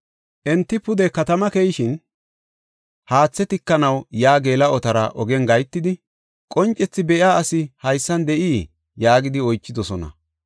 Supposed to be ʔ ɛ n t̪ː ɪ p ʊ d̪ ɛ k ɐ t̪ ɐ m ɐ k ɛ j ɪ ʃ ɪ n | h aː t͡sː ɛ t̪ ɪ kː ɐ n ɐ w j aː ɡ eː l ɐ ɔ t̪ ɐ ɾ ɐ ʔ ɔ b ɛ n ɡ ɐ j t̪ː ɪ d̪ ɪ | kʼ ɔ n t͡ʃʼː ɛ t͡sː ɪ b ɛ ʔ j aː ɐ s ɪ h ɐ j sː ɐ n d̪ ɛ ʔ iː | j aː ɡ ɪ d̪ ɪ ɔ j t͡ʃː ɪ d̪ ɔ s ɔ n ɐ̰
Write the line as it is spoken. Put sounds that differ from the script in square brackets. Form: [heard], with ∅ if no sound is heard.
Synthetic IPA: ʔ ɛ n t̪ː ɪ p ʊ d̪ ɛ k ɐ t̪ ɐ m ɐ k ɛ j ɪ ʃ ɪ n | h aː t͡sː ɛ t̪ ɪ kː ɐ n ɐ w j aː ɡ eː l ɐ ɔ t̪ ɐ ɾ ɐ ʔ ɔ [ɡ] ɛ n ɡ ɐ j t̪ː ɪ d̪ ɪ | kʼ ɔ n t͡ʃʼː ɛ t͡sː ɪ b ɛ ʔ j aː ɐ s ɪ h ɐ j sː ɐ n d̪ ɛ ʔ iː | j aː ɡ ɪ d̪ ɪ ɔ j t͡ʃː ɪ d̪ ɔ s ɔ n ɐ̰